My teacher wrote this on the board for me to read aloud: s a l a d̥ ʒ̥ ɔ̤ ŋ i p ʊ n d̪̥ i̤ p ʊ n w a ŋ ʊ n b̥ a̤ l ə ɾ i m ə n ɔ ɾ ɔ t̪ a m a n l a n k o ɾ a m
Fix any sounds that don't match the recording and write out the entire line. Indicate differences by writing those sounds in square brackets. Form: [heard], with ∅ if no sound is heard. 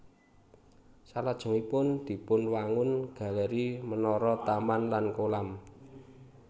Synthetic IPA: s a l a d̥ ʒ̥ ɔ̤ ŋ i p ʊ n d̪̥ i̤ p ʊ n w a ŋ ʊ n [ɡ̥] a̤ l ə ɾ i m ə n ɔ ɾ ɔ t̪ a m a n l a n k o [l] a m